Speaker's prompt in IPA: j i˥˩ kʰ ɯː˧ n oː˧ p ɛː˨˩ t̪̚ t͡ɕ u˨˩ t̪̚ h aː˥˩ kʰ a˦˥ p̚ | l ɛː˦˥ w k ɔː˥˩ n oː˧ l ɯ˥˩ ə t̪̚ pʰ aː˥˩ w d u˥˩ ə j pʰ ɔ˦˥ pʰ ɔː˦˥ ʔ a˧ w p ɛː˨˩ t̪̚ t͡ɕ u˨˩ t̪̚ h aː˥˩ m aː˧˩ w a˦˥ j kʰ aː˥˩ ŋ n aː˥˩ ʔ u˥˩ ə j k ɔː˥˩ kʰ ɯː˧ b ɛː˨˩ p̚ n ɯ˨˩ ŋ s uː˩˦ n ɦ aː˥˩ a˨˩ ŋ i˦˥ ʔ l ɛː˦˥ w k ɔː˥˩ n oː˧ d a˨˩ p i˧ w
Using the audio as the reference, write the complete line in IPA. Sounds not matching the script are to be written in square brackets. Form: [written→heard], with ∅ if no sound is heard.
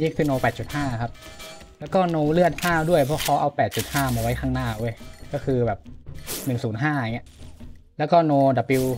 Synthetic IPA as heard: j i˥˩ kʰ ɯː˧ n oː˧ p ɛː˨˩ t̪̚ t͡ɕ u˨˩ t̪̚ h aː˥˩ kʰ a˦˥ p̚ | l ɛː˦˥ w k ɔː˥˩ n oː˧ l ɯ˥˩ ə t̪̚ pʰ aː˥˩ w d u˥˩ ə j pʰ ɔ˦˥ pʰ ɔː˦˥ ʔ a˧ w p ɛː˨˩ t̪̚ t͡ɕ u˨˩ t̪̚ h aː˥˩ m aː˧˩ w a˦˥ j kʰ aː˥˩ ŋ n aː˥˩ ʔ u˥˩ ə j k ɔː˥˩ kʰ ɯː˧ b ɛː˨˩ p̚ n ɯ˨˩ ŋ s uː˩˦ n ɦ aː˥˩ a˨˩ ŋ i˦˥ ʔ l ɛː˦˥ w k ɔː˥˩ n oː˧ d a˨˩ p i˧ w